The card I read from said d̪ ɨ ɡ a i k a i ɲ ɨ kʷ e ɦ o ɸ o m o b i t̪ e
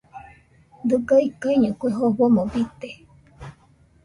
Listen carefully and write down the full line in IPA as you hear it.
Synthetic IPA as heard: d̪ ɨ ɡ a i k a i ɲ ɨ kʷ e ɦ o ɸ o m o b i t̪ e